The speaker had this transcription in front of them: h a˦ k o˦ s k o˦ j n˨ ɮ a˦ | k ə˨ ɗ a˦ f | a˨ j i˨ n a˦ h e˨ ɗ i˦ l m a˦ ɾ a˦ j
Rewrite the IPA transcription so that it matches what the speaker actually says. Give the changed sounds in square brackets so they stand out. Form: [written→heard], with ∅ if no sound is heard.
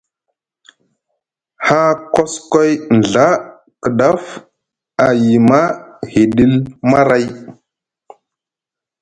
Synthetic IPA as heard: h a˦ k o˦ s k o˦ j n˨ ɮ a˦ | k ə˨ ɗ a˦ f | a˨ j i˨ [n→m] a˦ h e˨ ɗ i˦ l m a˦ ɾ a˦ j